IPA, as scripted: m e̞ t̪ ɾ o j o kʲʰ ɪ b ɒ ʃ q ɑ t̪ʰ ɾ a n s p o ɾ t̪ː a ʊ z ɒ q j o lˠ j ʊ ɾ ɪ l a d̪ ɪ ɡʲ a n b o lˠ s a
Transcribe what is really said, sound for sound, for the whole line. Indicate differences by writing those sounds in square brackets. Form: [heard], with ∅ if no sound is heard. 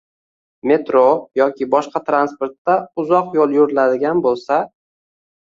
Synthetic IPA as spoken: m e̞ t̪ ɾ o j [ɒ] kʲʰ ɪ b ɒ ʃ q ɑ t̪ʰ ɾ a n s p o ɾ t̪ː a ʊ z ɒ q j o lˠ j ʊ ɾ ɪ l a d̪ ɪ ɡʲ a n b o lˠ s a